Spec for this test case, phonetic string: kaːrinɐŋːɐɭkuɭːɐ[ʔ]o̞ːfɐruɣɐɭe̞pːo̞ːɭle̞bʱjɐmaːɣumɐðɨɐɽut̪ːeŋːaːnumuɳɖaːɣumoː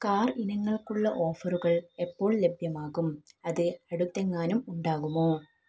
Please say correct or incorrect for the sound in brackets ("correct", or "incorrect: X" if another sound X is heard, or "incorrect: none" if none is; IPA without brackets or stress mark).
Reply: correct